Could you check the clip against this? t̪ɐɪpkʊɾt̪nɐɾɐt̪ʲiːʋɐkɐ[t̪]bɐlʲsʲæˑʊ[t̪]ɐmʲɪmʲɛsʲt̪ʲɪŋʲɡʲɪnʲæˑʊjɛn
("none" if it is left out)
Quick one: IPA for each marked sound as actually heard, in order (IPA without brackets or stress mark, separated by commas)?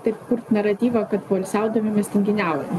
t̪, d̪